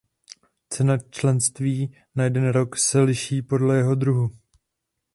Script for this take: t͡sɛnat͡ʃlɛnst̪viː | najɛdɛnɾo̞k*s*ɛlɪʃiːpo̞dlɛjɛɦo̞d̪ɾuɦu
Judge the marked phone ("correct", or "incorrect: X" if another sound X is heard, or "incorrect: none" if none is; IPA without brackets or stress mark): correct